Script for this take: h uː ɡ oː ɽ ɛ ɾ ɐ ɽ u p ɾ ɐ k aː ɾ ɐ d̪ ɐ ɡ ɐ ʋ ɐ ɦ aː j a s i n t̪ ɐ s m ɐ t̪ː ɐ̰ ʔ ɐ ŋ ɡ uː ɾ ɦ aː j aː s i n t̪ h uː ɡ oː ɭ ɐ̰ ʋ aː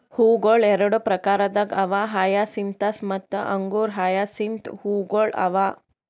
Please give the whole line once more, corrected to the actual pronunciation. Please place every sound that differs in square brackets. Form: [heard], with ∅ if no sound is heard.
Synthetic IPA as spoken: h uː ɡ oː [ɭ] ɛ ɾ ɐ ɽ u p ɾ ɐ k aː ɾ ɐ d̪ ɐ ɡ ɐ ʋ [a] ɦ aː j a s i n t̪ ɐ s m ɐ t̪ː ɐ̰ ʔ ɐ ŋ ɡ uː ɾ ɦ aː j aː s i n t̪ h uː ɡ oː ɭ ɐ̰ ʋ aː